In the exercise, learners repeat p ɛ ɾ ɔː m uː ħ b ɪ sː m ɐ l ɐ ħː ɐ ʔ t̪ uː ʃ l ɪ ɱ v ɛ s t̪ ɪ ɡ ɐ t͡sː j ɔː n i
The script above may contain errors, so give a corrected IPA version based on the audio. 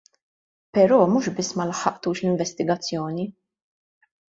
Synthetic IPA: p ɛ ɾ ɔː m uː ʃ b ɪ sː m ɐ l ɐ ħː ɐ ʔ t̪ uː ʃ l ɪ ɱ v ɛ s t̪ ɪ ɡ ɐ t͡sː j ɔː n i